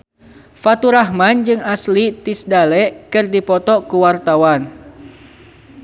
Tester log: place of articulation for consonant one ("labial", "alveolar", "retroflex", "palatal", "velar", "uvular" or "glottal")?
labial